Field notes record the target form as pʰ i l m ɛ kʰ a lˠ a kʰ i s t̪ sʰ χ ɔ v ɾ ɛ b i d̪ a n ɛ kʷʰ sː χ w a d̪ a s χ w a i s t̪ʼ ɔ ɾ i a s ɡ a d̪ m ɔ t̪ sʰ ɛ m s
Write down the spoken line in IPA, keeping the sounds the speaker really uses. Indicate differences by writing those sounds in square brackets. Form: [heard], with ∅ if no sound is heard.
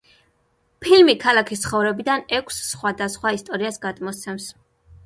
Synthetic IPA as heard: pʰ i l m [i] kʰ a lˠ a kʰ i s t̪ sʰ χ ɔ v ɾ ɛ b i d̪ a n ɛ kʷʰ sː χ w a d̪ a s χ w a i s t̪ʼ ɔ ɾ i a s ɡ a d̪ m ɔ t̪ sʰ ɛ m s